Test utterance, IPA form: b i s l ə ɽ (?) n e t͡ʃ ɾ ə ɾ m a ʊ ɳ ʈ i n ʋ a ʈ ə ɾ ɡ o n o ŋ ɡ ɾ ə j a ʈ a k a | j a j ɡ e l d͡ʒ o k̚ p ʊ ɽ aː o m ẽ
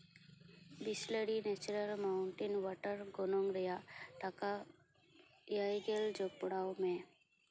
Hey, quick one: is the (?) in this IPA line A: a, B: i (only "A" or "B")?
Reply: B